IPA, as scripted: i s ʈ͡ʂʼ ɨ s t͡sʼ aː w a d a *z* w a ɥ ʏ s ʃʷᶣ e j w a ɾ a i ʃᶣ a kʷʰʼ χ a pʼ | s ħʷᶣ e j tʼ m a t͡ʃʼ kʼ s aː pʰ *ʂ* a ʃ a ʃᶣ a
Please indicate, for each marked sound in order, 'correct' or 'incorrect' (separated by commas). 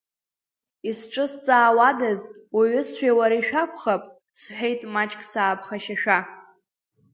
correct, incorrect